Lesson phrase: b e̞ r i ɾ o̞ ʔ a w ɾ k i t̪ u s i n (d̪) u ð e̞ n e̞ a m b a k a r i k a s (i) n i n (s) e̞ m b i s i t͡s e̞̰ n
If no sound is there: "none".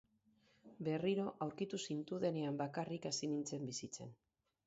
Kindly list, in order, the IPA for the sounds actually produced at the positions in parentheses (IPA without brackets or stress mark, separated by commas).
t̪, i, t͡s